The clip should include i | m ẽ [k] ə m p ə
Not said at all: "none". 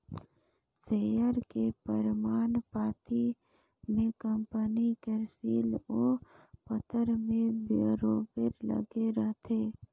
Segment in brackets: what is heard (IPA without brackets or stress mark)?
k